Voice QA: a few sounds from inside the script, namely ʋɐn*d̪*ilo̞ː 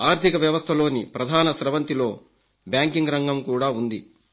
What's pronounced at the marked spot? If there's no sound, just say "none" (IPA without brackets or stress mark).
t̪